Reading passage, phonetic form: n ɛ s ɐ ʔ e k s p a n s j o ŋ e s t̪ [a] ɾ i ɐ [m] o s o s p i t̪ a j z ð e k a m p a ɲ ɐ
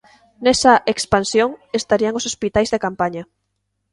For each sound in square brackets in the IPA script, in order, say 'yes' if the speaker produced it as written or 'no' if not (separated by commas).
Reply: yes, no